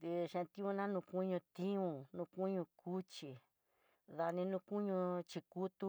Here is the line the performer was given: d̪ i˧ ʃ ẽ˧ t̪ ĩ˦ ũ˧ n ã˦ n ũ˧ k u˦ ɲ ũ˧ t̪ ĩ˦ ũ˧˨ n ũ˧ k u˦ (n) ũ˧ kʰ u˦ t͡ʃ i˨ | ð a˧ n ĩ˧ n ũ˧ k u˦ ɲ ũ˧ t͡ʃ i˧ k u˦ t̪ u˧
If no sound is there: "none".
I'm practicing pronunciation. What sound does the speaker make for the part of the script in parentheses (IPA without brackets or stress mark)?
ɲ